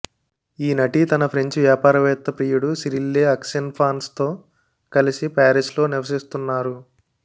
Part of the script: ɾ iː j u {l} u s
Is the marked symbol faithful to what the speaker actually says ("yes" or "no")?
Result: no